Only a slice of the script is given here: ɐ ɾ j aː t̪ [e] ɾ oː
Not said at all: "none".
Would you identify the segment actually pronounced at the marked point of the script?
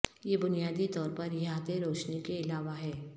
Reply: e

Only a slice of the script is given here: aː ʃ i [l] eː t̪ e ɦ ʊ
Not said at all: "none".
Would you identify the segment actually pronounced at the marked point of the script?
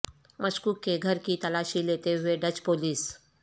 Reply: l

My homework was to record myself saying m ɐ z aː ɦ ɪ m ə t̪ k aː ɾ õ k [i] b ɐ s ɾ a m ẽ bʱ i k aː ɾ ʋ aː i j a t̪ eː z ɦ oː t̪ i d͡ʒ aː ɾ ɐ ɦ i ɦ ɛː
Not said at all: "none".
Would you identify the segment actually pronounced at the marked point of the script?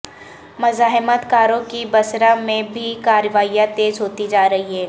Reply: i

